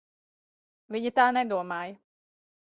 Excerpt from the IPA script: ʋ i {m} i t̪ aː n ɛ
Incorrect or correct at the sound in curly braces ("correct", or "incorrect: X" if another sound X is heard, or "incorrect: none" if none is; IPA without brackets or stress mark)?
incorrect: ɲ